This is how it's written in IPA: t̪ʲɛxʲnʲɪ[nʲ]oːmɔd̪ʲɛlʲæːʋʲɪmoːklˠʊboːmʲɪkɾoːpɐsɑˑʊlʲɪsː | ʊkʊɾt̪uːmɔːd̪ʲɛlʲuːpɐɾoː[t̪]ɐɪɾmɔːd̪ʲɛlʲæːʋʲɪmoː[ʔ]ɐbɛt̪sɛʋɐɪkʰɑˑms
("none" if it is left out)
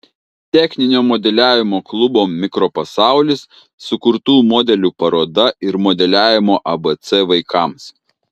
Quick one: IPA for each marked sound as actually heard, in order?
nʲ, d̪, ʔ

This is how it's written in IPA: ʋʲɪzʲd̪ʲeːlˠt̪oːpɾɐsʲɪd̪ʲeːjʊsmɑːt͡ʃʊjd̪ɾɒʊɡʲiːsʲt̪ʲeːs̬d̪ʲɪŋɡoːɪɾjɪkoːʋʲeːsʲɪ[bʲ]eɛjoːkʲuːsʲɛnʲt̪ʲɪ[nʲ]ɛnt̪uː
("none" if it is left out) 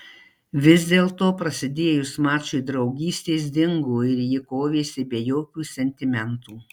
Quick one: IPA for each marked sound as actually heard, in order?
bʲ, mʲ

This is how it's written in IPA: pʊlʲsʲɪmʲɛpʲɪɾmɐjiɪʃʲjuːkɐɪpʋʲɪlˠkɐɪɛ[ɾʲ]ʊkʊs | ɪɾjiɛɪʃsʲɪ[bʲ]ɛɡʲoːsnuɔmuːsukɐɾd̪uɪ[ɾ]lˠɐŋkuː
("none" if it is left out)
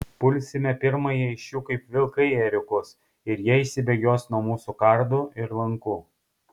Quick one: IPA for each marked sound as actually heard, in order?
ɾʲ, bʲ, ɾ

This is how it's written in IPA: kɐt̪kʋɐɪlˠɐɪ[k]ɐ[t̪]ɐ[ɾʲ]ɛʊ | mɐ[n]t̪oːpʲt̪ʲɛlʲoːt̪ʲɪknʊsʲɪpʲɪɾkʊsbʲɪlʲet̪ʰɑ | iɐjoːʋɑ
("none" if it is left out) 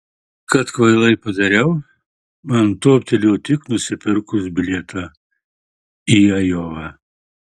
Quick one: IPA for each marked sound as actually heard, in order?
p, d̪, ɾʲ, n

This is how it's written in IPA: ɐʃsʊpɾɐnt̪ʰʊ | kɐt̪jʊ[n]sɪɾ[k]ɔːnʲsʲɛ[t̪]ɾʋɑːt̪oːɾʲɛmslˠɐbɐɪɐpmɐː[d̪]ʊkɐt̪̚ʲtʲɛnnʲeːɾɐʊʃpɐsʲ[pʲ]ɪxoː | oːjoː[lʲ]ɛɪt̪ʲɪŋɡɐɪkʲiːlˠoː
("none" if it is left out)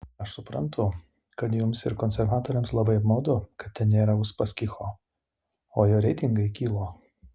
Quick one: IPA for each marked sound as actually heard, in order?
m, k, none, d̪, kʲ, ɾʲ

